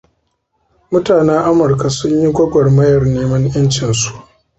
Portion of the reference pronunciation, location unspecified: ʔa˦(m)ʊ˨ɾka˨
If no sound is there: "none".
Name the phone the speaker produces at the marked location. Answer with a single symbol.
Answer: m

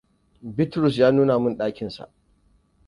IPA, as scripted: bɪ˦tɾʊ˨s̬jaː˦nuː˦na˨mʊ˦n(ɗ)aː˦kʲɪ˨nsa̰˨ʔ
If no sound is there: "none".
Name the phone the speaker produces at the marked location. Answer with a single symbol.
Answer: ɗ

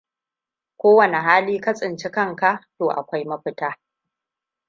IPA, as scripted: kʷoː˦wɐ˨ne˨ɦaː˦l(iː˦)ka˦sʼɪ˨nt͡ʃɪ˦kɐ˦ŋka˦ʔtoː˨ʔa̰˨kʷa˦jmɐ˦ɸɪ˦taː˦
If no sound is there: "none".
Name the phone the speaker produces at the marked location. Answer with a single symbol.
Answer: iː˦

